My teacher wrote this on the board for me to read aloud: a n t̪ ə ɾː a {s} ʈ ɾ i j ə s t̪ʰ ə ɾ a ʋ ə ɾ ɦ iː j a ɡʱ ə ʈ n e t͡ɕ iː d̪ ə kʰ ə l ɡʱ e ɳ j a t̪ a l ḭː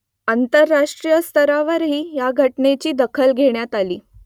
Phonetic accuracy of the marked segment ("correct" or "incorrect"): incorrect